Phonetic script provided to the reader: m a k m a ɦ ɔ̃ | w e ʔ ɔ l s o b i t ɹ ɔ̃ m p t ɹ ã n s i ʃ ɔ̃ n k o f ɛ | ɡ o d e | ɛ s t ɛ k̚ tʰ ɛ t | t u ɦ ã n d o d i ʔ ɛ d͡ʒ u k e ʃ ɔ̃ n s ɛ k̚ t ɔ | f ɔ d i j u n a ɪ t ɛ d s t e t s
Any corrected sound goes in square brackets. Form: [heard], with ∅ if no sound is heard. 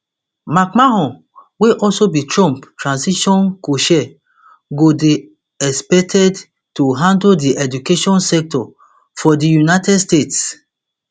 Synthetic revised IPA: m a k m a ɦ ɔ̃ | w e ʔ ɔ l s o b i t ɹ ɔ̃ m p t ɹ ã n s i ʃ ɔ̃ n k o [ʃ] ɛ | ɡ o d e | ɛ s [p] ɛ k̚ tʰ ɛ [d] | t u ɦ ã n d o d i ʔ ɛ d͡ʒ u k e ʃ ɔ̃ n s ɛ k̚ t ɔ | f ɔ d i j u n a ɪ t ɛ d s t e t s